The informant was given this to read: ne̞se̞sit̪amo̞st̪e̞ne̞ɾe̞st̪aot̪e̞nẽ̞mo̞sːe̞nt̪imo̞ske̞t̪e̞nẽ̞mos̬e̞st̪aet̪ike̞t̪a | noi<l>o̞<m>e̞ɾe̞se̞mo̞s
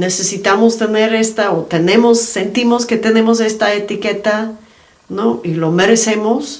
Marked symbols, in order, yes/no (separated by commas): yes, yes